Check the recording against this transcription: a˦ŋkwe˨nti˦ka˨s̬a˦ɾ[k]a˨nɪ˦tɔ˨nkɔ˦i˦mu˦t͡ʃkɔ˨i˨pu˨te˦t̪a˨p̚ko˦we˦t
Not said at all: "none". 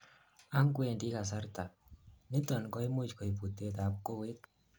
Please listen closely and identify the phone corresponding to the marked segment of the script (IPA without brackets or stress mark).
t